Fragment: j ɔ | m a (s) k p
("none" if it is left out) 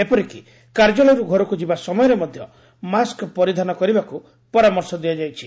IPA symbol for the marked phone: s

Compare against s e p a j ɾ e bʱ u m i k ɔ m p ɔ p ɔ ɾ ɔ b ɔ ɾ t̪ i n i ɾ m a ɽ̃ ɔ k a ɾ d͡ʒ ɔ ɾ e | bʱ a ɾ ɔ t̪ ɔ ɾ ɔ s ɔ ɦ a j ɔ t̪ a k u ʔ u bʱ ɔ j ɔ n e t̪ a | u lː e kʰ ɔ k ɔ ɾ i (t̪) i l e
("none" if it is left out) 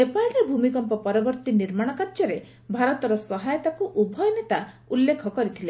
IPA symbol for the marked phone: t̪ʰ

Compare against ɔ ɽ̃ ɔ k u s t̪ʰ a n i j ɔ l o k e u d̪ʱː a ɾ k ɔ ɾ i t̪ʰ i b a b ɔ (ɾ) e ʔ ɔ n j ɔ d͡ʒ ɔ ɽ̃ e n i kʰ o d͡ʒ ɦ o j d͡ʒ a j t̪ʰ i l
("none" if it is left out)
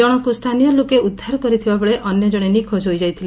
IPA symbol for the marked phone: ɭ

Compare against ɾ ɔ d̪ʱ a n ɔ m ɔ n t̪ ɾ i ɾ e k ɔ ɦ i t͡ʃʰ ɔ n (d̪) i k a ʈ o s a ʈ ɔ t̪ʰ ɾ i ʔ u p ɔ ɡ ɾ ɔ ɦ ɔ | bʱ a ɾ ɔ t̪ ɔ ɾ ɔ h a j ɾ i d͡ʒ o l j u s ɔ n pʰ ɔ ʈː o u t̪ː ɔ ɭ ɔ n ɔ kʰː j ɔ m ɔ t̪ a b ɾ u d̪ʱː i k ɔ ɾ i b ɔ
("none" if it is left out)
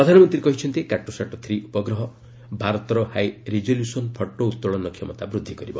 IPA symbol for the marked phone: t̪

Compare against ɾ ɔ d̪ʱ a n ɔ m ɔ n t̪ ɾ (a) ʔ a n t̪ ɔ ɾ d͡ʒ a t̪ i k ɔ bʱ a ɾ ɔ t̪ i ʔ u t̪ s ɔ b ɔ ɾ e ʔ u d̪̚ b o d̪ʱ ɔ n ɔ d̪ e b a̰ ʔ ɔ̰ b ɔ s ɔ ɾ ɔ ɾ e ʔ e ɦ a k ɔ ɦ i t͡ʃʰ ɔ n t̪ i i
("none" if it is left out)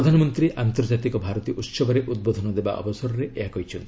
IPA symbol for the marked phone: i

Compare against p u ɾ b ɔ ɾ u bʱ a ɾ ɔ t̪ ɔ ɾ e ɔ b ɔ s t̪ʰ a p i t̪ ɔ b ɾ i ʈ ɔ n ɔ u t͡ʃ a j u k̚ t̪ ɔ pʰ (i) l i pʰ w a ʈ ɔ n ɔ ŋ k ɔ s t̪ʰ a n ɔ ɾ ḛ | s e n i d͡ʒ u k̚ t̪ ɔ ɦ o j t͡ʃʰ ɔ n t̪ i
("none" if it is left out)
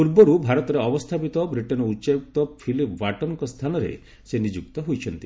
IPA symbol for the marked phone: i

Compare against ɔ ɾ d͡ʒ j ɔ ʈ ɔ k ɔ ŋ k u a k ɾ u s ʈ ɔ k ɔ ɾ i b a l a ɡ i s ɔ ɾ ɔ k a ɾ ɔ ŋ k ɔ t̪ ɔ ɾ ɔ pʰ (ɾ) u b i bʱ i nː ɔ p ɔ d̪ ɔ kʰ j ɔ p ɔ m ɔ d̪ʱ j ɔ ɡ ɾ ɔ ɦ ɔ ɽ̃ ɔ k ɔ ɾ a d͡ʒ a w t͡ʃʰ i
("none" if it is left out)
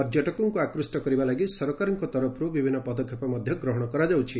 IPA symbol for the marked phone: ɾ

